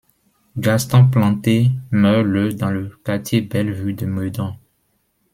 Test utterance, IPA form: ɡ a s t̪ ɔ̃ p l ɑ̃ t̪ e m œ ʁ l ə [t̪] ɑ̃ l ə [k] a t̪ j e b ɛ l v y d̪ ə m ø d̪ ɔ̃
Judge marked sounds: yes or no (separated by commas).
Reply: no, yes